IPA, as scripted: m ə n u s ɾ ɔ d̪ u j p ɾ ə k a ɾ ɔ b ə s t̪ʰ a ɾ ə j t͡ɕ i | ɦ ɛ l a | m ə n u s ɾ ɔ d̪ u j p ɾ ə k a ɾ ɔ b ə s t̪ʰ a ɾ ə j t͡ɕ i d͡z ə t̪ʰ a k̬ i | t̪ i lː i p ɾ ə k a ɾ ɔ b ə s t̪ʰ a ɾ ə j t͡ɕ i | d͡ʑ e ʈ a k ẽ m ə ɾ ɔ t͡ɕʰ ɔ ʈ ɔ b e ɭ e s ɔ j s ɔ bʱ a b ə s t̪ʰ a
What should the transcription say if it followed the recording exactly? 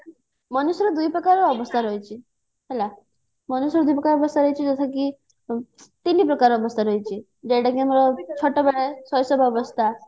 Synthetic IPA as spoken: m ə n u s ɾ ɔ d̪ u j p ɾ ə k a ɾ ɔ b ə s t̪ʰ a ɾ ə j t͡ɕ i | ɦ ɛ l a | m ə n u s ɾ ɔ d̪ u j p ɾ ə k a ɾ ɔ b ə s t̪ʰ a ɾ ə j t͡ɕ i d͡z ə t̪ʰ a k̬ i | t̪ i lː i p ɾ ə k a ɾ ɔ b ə s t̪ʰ a ɾ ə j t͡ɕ i | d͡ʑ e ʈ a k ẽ m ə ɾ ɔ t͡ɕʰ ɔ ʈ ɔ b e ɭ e s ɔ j s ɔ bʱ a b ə s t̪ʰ a